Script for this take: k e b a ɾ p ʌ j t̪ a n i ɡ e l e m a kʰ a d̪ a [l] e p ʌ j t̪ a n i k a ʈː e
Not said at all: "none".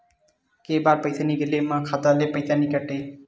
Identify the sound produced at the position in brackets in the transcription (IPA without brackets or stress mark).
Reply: l